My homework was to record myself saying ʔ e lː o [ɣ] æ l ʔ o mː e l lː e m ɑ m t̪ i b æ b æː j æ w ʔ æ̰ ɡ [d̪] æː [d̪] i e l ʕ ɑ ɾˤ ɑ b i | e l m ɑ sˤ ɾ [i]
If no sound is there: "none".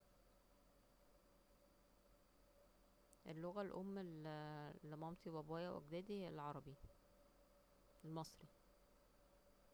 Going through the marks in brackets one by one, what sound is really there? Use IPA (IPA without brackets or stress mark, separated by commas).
ɣ, d̪, d̪, i